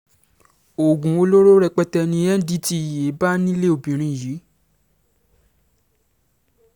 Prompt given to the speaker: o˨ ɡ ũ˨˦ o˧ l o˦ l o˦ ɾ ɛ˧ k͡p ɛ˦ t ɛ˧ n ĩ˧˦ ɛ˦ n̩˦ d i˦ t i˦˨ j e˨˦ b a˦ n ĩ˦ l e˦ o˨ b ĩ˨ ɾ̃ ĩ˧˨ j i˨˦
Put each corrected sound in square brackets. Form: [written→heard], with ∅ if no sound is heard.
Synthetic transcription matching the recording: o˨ ɡ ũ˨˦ o˧ l o˦ [l→ɾ] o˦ ɾ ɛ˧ k͡p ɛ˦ t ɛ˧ n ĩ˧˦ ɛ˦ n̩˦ d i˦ t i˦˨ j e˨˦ b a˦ n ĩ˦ l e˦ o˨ b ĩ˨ ɾ̃ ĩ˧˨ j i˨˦

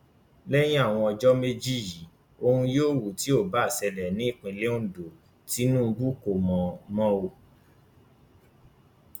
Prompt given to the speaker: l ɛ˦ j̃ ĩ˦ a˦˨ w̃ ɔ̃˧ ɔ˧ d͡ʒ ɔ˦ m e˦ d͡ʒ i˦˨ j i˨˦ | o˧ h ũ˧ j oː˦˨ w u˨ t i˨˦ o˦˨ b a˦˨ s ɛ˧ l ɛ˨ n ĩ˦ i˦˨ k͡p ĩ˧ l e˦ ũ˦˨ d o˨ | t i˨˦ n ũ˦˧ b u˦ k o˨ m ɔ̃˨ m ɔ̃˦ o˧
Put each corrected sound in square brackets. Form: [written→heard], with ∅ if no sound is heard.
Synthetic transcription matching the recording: l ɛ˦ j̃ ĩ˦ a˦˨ w̃ ɔ̃˧ ɔ˧ d͡ʒ ɔ˦ m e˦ d͡ʒ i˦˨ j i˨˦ | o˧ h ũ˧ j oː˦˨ w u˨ t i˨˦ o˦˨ b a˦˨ s ɛ˧ l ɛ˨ n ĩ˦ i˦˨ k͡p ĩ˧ l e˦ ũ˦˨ d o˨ | t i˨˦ n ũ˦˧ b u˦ k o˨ m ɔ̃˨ m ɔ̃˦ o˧

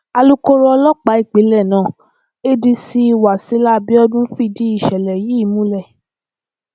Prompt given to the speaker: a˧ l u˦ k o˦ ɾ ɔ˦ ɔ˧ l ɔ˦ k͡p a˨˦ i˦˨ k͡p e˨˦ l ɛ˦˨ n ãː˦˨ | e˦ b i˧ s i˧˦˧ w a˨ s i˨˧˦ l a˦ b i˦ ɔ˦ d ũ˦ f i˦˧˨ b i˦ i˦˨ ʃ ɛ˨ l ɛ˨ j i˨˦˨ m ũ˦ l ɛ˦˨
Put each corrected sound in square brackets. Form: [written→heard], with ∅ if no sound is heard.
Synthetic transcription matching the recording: a˧ l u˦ k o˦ ɾ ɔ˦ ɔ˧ l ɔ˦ k͡p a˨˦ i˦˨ k͡p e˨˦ l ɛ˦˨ n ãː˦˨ | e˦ [b→d] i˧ s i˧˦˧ w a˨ s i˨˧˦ l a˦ b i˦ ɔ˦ d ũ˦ f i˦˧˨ [b→d] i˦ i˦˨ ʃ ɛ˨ l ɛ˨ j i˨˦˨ m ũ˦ l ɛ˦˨

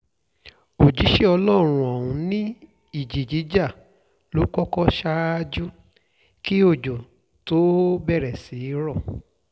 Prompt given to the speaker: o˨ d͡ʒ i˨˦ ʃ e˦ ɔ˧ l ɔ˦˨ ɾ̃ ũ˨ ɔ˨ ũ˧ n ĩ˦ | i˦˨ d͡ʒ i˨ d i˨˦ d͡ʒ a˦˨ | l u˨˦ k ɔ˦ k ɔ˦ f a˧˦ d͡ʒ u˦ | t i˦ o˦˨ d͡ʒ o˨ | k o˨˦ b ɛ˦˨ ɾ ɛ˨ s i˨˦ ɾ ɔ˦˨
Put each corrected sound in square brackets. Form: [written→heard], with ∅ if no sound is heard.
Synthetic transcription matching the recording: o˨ d͡ʒ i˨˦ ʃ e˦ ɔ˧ l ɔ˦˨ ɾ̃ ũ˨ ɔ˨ ũ˧ n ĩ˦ | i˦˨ d͡ʒ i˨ [d→d͡ʒ] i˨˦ d͡ʒ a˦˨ | l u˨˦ k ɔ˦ k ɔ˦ [f→ʃ] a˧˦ d͡ʒ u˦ | [t→k] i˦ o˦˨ d͡ʒ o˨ | [k→t] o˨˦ b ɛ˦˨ ɾ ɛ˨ s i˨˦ ɾ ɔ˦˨

